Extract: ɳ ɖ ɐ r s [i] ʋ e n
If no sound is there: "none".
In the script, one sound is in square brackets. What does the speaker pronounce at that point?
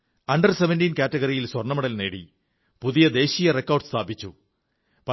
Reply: e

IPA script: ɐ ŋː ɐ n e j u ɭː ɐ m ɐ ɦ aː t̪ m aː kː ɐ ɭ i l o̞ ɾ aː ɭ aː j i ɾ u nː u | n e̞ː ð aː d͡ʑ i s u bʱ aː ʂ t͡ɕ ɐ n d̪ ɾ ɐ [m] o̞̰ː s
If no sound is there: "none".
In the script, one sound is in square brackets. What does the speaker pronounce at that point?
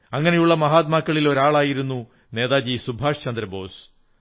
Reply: b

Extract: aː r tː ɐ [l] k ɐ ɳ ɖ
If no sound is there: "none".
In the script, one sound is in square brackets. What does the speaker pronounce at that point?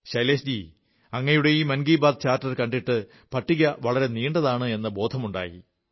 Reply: r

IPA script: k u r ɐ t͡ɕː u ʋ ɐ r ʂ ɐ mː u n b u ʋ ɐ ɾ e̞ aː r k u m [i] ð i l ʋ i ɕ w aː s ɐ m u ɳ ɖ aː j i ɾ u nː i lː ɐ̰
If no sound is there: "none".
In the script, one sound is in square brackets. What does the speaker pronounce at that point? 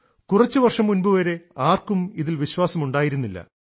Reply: i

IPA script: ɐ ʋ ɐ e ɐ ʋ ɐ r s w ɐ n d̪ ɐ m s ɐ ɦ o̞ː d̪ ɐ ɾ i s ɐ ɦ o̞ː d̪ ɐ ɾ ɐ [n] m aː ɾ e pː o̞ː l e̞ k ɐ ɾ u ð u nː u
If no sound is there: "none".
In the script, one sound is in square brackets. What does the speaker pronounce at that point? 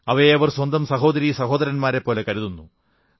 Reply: n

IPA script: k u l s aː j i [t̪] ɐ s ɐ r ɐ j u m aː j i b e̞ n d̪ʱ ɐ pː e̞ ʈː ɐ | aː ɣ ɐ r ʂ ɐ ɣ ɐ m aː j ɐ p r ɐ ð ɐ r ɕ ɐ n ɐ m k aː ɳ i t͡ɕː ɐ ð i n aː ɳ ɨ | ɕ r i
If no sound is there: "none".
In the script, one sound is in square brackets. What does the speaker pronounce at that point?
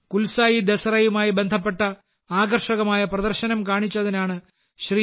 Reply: d̪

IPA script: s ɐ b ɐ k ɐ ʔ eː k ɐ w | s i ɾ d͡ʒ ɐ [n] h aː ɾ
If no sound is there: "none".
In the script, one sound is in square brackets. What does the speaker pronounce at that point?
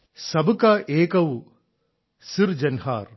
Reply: n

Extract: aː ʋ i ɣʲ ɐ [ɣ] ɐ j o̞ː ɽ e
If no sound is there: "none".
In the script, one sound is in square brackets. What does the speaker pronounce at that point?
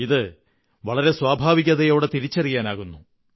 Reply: ð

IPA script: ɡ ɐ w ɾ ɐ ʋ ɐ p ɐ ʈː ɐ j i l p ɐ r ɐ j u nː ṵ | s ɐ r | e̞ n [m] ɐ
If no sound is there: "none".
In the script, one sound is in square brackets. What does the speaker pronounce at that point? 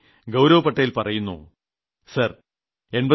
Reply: b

